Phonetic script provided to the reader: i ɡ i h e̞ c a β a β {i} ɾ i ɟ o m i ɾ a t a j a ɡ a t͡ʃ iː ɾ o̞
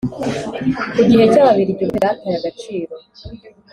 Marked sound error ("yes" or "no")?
no